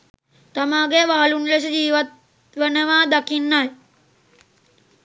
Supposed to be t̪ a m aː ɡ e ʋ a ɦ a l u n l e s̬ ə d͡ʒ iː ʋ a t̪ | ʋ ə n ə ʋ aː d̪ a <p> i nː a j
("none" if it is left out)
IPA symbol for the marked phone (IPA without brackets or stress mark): k